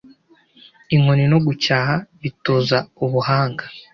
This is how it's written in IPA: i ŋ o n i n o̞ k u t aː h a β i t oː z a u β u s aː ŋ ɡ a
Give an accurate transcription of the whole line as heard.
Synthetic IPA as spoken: i ŋ o n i n o̞ ɡ u c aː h a β i t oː z a u β u h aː ŋ ɡ a